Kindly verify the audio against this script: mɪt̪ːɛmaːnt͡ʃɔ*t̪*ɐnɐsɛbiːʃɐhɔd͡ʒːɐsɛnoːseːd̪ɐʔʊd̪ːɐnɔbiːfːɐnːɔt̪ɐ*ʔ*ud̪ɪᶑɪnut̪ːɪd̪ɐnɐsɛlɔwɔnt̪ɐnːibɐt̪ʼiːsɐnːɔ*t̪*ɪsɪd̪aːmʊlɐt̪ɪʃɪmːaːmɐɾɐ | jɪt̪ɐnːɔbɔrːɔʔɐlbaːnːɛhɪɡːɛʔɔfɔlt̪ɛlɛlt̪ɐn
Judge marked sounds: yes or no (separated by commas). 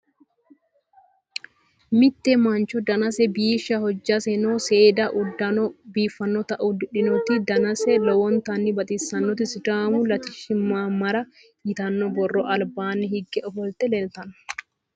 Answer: no, yes, yes